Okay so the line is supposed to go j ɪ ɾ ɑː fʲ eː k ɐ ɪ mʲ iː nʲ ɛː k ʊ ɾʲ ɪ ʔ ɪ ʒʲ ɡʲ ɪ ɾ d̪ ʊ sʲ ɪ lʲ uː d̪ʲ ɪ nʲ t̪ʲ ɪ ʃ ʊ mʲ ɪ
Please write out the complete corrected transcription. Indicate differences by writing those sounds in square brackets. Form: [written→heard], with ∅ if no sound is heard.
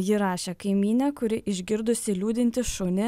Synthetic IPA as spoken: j ɪ ɾ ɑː [fʲ→ʃʲ] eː k ɐ ɪ mʲ iː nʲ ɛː k ʊ ɾʲ ɪ ʔ ɪ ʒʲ ɡʲ ɪ ɾ d̪ ʊ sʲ ɪ lʲ uː d̪ʲ ɪ nʲ t̪ʲ ɪ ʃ ʊ [mʲ→nʲ] ɪ